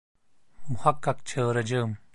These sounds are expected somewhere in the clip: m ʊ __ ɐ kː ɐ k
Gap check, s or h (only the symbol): h